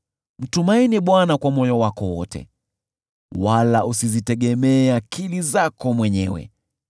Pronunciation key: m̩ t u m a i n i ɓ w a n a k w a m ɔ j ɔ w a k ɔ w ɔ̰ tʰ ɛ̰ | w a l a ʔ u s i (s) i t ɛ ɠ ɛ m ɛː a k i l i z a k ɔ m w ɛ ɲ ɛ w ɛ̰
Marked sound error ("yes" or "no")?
yes